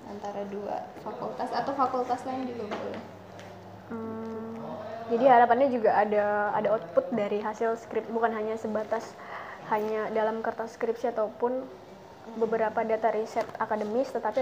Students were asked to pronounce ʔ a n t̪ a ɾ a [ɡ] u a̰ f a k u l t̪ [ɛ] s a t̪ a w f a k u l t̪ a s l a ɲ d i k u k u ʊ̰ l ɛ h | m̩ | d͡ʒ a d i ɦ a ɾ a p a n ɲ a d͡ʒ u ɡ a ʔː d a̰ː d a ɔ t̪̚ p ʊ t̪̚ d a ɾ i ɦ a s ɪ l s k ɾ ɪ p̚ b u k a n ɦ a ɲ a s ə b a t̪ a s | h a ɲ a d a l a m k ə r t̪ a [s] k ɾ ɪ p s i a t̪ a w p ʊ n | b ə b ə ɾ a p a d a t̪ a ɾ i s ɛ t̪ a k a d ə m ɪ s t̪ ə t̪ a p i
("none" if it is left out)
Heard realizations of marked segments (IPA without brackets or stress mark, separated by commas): d, a, s